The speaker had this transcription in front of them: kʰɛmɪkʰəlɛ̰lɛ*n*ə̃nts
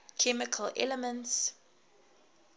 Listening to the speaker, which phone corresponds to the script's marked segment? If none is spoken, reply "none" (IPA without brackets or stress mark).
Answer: m